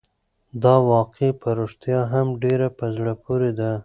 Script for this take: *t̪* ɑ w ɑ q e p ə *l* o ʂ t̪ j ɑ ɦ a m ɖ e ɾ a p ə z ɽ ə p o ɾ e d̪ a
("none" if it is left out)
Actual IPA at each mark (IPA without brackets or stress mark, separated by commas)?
d̪, ɾ